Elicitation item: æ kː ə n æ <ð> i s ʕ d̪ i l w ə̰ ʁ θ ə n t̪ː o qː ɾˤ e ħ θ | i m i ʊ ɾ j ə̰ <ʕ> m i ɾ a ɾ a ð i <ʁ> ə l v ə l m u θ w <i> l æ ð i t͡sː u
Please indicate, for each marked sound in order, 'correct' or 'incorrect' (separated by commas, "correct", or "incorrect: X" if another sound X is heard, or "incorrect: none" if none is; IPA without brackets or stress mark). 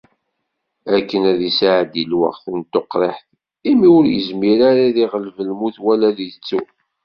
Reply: correct, incorrect: z, correct, incorrect: æ